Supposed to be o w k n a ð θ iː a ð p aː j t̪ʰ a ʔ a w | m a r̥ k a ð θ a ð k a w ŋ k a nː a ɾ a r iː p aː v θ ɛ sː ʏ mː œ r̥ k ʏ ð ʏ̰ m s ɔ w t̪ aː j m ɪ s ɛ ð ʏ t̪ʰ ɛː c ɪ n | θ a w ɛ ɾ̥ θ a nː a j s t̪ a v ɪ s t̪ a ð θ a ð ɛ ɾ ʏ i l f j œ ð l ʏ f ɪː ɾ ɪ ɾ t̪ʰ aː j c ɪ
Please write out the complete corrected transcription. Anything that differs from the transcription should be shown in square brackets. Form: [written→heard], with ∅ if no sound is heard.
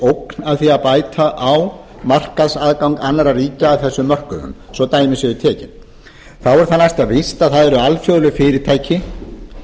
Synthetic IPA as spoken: o w k n a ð θ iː a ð p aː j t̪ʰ a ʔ a w | m a r̥ k a ð [θ→s] a ð k a w ŋ k a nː a ɾ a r iː [p→c] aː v θ ɛ sː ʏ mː œ r̥ k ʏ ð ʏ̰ m s ɔ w t̪ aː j m ɪ s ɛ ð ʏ t̪ʰ ɛː c ɪ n | θ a w ɛ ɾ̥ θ a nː a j s t̪ a v ɪ s t̪ a ð θ a ð ɛ ɾ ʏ [i→a] l f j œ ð l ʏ f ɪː ɾ ɪ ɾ t̪ʰ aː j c ɪ

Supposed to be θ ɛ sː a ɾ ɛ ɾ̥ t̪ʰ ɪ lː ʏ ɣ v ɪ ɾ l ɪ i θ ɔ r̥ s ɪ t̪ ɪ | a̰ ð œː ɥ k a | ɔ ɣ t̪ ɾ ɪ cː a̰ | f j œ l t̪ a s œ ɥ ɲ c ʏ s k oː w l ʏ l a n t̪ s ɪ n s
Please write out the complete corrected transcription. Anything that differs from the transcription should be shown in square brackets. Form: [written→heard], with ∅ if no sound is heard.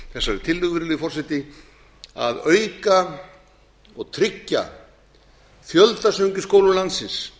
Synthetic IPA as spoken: θ ɛ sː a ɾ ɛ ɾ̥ t̪ʰ ɪ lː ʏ ɣ v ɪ ɾ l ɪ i [θ→f] ɔ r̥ s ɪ t̪ ɪ | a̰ ð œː ɥ k a | ɔ ɣ [t̪→t̪ʰ] ɾ ɪ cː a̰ | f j œ l t̪ a s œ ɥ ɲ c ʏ s k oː w l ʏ l a n t̪ s ɪ n s

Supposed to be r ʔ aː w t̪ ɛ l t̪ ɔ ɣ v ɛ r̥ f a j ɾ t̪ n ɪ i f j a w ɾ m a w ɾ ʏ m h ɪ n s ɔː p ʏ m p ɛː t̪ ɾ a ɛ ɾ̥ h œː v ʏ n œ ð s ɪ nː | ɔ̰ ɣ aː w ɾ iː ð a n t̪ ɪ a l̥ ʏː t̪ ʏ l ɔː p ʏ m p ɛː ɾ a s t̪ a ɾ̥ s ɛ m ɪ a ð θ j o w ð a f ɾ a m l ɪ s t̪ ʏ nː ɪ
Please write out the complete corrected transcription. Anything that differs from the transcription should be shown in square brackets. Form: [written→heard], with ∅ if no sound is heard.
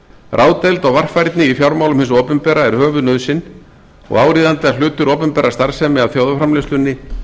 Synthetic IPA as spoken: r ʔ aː w t̪ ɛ l t̪ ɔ ɣ v [ɛ→a] r̥ f a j ɾ t̪ n ɪ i f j a w ɾ m a w [ɾ→l] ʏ m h ɪ n s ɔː p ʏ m p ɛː [t̪→∅] ɾ a ɛ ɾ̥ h œː v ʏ n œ ð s ɪ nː | ɔ̰ ɣ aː w ɾ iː ð a n t̪ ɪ a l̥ ʏː t̪ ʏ [l→ɾ] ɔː p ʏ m p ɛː ɾ a s t̪ a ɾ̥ s ɛ m ɪ a ð θ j o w ð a f ɾ a m l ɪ s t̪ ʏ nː ɪ

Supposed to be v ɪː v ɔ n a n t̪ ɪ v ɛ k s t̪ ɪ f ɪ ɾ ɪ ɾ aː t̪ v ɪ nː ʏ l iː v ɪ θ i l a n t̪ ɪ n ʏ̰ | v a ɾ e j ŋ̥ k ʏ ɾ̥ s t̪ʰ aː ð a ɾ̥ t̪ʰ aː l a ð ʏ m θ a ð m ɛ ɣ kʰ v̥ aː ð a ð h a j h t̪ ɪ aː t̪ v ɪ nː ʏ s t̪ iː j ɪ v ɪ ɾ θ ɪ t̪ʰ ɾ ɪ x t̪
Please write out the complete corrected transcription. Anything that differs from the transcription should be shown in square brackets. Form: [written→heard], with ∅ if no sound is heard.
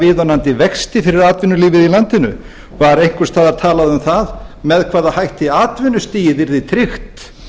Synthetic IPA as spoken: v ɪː [v→ð] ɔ n a n t̪ ɪ v ɛ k s t̪ ɪ f ɪ ɾ ɪ ɾ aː t̪ v ɪ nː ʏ l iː v ɪ [θ→ð] i l a n t̪ ɪ n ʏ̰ | v a ɾ e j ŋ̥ k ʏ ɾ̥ s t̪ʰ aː ð a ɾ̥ t̪ʰ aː l a ð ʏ m θ a ð m ɛ [ɣ→ð] kʰ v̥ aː ð a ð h a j h t̪ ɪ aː t̪ v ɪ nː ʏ s t̪ iː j ɪ v ɪ ɾ [θ→ð] ɪ t̪ʰ ɾ ɪ x t̪

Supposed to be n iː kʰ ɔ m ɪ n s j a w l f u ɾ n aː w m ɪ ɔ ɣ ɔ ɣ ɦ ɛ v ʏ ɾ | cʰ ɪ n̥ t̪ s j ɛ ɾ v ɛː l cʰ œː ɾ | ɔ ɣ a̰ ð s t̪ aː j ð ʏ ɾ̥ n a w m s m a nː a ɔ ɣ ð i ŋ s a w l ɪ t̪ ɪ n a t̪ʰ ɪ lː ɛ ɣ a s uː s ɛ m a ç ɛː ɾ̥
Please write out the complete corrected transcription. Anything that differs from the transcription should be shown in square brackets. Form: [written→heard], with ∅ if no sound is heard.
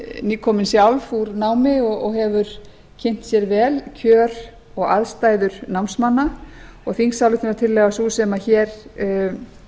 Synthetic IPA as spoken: n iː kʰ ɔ m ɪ n s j a w l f u ɾ n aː w m ɪ ɔ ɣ ɔ ɣ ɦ ɛ v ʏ ɾ | cʰ ɪ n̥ t̪ s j ɛ ɾ v ɛː l cʰ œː ɾ | ɔ ɣ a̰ ð s t̪ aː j ð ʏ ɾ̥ n a w m s m a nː a ɔ ɣ [ð→θ] i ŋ s a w l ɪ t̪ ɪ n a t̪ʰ ɪ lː ɛ ɣ a s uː s ɛ m a ç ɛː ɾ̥

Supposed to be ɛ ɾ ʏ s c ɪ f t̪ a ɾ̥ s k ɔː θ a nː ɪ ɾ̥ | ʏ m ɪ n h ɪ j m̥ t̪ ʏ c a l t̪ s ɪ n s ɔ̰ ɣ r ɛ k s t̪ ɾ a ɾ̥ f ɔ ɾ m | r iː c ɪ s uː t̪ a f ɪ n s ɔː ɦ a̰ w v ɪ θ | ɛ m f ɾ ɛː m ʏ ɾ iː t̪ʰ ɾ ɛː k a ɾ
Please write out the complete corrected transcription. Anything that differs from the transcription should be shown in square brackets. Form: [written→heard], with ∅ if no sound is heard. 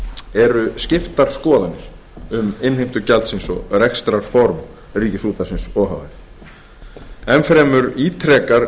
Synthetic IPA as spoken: ɛ ɾ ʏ s c ɪ f t̪ a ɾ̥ s k ɔː [θ→ð] a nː ɪ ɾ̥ | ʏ m ɪ n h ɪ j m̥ t̪ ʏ c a l t̪ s ɪ n s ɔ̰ ɣ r ɛ k s t̪ ɾ a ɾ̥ f ɔ ɾ m | r iː c ɪ s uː t̪ a [f→s] ɪ n s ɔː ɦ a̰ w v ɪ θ | ɛ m f ɾ ɛː m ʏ ɾ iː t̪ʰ ɾ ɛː k a ɾ

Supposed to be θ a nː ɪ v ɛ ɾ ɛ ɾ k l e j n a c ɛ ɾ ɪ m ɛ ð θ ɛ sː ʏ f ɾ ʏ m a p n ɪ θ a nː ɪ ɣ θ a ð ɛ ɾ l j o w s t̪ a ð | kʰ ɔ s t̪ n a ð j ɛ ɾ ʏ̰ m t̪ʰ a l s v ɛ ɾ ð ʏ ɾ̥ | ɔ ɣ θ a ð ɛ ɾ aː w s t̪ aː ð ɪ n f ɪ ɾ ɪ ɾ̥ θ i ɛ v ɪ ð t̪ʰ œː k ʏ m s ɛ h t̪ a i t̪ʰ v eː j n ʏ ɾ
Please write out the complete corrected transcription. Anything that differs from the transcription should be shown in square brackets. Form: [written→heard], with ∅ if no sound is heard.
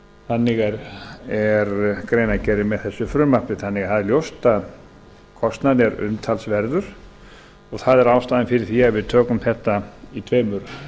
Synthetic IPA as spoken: θ a nː ɪ [v→ɣ] ɛ ɾ ɛ ɾ k [l→ɾ] e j n a c ɛ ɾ ɪ m ɛ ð θ ɛ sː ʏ f ɾ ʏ m a p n ɪ θ a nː ɪ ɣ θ a ð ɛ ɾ l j o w s t̪ a ð | kʰ ɔ s t̪ n a ð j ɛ ɾ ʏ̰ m t̪ʰ a l s v ɛ ɾ ð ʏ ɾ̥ | ɔ ɣ θ a ð ɛ ɾ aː w s t̪ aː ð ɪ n f ɪ ɾ ɪ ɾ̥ θ i [ɛ→a] v ɪ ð t̪ʰ œː k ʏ m [s→θ] ɛ h t̪ a i t̪ʰ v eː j [n→m] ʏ ɾ

